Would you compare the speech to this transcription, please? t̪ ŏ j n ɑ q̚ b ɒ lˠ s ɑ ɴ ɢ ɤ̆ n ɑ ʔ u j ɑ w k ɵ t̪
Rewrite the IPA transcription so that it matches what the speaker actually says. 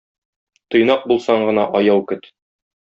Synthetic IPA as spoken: t̪ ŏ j n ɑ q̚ b u lˠ s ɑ ɴ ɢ ɤ̆ n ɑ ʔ ɒ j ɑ w k ɵ t̪